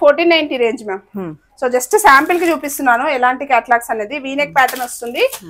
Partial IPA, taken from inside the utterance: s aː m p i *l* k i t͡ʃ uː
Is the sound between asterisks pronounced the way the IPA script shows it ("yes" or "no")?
yes